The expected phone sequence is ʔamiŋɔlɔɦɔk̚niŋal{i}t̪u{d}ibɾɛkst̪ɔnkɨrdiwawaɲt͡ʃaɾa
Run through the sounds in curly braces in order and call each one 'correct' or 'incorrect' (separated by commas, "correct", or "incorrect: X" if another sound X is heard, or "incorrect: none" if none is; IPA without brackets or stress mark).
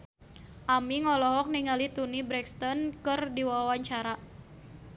correct, incorrect: n